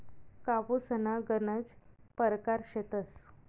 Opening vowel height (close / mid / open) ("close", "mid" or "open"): open